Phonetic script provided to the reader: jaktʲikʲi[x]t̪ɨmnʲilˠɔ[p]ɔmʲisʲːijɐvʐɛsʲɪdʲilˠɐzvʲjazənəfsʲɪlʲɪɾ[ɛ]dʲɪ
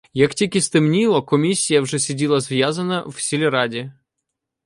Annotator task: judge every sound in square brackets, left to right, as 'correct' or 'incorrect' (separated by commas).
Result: incorrect, incorrect, incorrect